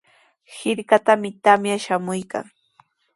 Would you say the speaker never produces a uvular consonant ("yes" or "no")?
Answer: yes